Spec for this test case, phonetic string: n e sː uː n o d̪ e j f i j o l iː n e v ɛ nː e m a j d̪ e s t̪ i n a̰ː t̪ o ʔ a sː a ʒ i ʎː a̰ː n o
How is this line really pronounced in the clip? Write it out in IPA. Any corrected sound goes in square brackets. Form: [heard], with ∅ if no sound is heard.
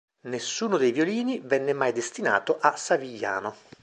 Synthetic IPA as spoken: n e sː uː n o d̪ e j [v] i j o l iː n [i] v ɛ nː e m a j d̪ e s t̪ i n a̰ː t̪ o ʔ a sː a [v] i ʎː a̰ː n o